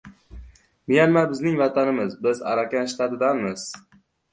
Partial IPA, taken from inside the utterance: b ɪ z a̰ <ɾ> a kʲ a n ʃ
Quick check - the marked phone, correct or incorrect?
correct